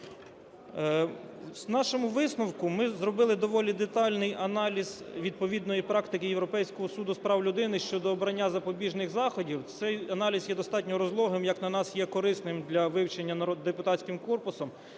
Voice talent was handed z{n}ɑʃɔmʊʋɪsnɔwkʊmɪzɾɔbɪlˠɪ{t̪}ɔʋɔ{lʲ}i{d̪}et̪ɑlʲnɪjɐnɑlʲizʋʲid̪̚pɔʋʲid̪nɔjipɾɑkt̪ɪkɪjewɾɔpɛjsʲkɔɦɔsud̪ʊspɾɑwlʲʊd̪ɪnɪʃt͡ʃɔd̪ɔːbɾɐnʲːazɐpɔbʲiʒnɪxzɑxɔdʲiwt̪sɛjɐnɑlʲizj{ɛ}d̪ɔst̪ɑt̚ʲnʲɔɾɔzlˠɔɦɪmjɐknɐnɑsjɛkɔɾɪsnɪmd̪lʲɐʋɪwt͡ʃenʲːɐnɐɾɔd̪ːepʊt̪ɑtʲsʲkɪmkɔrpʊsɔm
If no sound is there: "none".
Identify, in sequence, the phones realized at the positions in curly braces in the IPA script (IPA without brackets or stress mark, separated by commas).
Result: n, d̪, lʲ, d̪, ɛ